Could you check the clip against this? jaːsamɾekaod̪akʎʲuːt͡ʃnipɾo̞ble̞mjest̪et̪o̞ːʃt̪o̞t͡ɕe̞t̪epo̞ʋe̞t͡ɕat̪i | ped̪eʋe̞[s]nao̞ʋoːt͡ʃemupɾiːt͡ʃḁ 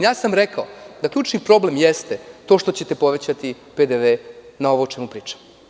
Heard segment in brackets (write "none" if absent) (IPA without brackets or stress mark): none